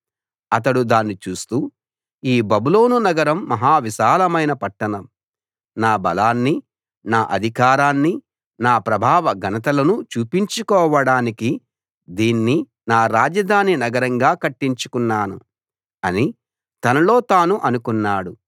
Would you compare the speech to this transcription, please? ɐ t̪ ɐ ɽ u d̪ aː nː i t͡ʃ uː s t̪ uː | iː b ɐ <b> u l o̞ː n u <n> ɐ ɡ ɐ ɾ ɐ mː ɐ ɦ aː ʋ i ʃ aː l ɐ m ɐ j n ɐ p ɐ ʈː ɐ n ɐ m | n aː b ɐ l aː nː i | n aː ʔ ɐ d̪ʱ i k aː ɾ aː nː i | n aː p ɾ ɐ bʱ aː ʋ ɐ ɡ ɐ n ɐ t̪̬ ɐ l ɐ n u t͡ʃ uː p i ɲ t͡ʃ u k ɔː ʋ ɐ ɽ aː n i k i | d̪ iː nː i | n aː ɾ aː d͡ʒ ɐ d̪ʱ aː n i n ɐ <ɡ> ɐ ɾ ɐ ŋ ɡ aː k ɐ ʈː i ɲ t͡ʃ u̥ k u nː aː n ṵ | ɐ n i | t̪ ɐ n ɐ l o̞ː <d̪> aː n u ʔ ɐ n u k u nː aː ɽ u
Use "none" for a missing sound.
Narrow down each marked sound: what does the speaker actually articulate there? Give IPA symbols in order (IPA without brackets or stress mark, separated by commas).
b, n, ɡ, t̪